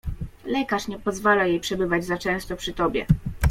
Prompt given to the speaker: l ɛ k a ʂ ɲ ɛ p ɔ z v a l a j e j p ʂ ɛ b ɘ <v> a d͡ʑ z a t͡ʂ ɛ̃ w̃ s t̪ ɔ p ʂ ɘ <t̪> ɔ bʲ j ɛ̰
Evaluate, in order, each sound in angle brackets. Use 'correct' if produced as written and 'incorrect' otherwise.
correct, correct

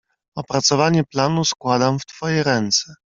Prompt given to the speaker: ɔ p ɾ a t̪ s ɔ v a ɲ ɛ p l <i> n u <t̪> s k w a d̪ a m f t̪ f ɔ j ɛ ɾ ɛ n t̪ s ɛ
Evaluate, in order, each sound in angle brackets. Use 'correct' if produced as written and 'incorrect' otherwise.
incorrect, incorrect

